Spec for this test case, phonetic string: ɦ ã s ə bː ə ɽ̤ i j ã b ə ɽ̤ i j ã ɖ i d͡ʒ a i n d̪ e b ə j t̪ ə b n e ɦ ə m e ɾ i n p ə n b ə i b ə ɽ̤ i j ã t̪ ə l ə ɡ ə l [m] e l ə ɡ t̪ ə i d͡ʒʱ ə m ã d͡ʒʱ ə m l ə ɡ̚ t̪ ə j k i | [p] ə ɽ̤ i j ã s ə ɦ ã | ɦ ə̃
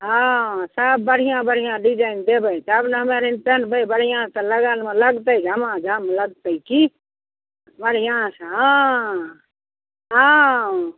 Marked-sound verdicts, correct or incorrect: correct, incorrect: b

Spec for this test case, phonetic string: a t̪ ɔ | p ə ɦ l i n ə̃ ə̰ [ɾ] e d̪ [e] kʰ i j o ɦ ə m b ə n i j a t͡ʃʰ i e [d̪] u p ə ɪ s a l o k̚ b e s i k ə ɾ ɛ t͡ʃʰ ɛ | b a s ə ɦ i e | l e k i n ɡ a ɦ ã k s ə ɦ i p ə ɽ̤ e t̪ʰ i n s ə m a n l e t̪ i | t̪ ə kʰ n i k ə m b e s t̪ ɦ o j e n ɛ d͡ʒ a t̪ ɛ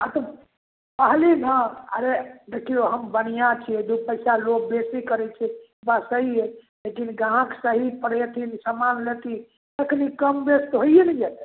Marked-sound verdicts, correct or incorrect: correct, correct, correct

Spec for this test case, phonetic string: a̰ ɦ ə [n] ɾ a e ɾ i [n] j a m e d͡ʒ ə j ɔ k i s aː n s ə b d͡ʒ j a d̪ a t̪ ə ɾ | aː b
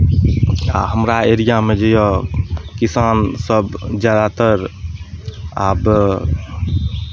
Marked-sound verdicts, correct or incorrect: incorrect: m, incorrect: none

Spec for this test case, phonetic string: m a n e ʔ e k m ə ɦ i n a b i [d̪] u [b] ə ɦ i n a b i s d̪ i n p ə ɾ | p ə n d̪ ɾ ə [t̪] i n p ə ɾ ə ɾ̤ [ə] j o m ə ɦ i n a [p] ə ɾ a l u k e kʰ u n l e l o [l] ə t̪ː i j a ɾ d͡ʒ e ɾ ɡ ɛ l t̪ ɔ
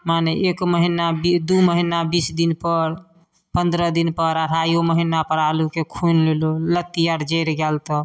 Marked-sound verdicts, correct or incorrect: correct, incorrect: m, incorrect: d̪, incorrect: a, correct, correct

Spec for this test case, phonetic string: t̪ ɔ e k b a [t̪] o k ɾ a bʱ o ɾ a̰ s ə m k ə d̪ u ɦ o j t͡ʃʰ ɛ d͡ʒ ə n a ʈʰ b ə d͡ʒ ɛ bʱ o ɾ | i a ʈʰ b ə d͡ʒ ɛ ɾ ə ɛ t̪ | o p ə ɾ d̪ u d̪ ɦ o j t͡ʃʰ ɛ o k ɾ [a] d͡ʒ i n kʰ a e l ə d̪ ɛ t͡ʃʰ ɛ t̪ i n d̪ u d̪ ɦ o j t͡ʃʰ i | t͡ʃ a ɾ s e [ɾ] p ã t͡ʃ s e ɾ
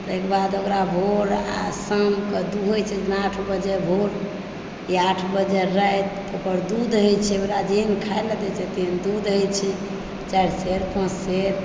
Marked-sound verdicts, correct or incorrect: incorrect: d̪, correct, correct

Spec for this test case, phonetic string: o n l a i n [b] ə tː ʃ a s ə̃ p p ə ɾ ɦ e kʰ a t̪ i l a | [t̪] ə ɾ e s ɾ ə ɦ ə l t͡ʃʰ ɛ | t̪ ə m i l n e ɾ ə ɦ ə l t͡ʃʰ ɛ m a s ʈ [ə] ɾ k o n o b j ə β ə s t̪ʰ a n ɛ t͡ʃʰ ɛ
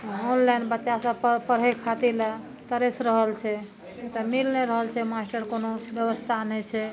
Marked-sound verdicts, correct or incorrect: correct, correct, correct

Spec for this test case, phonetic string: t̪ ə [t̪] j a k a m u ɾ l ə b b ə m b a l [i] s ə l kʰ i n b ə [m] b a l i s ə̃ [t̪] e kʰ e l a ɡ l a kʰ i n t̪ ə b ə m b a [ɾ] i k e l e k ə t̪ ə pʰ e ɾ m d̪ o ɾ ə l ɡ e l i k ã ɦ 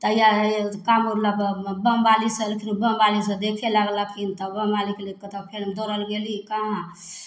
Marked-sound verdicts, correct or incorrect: incorrect: none, correct, correct, incorrect: d̪, incorrect: l

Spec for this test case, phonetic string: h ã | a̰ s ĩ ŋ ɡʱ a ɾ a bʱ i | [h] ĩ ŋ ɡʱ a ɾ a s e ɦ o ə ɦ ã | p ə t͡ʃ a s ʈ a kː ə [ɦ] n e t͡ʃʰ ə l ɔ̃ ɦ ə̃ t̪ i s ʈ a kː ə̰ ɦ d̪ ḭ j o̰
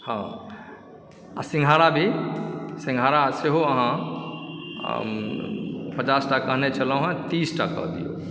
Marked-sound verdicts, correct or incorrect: incorrect: s, correct

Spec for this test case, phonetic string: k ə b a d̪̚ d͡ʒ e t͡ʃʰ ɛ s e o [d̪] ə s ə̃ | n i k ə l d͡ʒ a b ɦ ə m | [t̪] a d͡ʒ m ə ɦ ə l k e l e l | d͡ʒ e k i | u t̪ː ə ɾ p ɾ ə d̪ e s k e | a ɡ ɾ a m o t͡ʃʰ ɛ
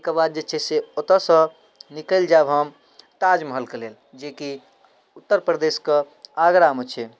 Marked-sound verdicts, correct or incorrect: incorrect: t̪, correct

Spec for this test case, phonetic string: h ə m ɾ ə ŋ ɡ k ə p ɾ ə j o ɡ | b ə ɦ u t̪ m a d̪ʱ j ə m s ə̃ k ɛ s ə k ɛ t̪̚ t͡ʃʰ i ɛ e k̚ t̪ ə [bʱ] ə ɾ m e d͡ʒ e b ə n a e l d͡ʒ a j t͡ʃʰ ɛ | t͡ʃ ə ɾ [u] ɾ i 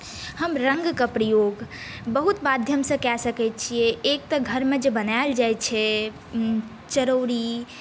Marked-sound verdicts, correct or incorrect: incorrect: ɡʱ, incorrect: o

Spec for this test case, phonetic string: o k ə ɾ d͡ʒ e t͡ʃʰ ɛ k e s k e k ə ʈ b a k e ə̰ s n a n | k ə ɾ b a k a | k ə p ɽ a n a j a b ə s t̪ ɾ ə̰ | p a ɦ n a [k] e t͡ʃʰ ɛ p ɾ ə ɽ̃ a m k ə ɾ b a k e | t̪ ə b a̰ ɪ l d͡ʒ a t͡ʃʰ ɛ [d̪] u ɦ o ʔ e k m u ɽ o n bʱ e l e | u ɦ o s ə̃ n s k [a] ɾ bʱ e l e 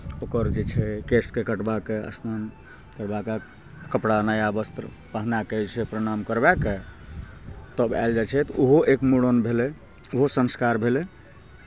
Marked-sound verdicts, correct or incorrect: correct, incorrect: t̪, correct

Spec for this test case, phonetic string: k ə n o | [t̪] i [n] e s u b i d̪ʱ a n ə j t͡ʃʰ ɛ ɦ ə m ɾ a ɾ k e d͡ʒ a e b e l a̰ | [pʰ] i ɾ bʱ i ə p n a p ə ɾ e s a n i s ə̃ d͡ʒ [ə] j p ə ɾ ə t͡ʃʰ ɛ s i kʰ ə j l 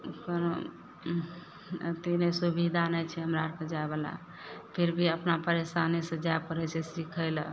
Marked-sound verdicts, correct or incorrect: correct, correct, correct, incorrect: a

